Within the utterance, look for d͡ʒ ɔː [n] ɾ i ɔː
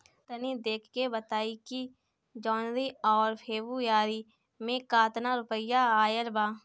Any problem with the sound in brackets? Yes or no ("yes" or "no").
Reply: no